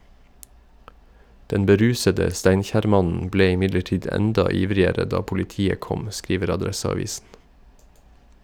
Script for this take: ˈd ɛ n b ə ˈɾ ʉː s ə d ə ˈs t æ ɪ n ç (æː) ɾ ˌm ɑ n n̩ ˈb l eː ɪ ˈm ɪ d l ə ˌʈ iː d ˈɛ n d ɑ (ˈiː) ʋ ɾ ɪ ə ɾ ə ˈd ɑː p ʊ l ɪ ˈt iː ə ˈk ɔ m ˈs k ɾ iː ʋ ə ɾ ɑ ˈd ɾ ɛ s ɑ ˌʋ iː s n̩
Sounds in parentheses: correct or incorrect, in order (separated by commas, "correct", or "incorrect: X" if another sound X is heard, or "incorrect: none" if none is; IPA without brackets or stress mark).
correct, correct